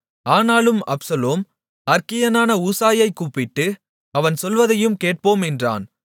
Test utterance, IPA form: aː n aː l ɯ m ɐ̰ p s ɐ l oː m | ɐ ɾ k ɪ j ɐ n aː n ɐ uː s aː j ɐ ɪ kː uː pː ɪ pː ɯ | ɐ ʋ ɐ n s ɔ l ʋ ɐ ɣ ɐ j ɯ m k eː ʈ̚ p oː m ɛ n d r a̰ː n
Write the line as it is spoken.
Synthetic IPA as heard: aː n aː l ɯ m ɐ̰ p s ɐ l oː m | ɐ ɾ k ɪ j ɐ n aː n ɐ uː s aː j ɐ ɪ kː uː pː ɪ ʈː ɯ | ɐ ʋ ɐ n s ɔ l ʋ ɐ ð ɐ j ɯ m k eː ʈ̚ p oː m ɛ n d r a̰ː n